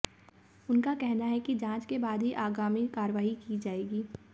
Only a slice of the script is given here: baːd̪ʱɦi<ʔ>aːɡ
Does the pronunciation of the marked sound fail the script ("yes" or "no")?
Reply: no